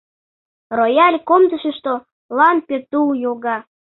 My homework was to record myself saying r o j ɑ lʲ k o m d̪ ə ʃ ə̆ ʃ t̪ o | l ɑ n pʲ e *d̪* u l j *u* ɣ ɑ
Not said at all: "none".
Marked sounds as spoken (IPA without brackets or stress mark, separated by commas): t̪, o